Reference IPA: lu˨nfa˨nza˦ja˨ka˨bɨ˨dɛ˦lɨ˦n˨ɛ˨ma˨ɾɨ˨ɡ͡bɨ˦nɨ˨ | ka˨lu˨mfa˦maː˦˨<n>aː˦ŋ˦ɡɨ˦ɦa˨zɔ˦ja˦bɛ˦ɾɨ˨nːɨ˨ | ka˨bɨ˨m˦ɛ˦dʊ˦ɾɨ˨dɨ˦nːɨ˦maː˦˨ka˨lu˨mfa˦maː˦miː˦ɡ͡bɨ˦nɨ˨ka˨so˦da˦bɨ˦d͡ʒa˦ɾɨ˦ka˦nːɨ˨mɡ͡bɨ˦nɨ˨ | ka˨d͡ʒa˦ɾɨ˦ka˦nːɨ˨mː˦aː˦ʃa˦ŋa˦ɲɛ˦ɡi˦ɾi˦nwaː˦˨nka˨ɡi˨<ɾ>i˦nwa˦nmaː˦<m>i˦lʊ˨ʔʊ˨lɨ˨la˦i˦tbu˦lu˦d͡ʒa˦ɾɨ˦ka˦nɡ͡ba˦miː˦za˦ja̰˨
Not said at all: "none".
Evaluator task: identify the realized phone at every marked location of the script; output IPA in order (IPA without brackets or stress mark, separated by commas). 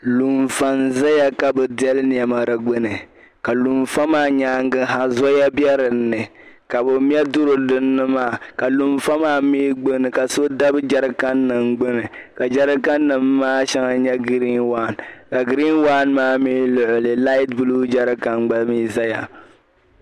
ɲ, ɾ, m